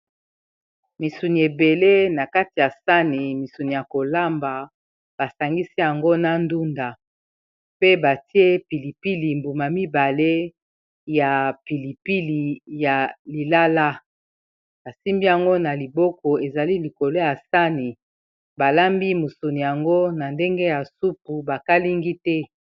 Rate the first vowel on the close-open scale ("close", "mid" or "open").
close